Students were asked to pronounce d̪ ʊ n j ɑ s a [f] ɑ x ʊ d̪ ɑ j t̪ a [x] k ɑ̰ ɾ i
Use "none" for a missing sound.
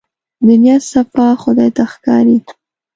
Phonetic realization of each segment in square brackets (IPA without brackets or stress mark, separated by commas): f, x